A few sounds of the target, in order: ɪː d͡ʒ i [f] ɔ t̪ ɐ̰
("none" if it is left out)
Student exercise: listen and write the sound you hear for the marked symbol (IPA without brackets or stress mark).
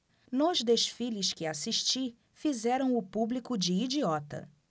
none